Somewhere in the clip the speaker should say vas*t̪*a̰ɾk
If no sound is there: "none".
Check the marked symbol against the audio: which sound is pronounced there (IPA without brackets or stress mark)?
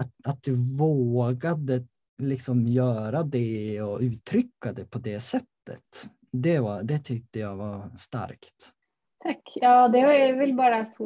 t̪